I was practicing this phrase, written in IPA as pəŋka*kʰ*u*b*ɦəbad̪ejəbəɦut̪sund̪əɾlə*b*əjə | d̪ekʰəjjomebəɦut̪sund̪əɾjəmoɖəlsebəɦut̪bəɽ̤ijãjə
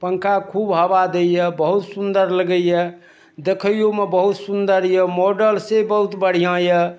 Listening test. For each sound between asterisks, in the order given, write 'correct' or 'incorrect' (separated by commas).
correct, correct, incorrect